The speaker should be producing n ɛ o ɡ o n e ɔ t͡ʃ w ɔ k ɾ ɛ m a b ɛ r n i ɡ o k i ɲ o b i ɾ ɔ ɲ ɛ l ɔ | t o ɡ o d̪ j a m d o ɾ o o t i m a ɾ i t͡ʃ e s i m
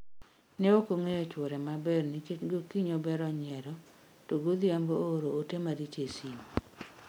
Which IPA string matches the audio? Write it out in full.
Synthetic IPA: n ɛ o k o ŋ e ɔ t͡ʃ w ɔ ɾ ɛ m a b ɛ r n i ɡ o k i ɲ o b ɛ ɾ ɔ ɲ ɛ ɾ ɔ | t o ɡ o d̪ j a m b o ɾ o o t e m a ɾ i t͡ʃ e s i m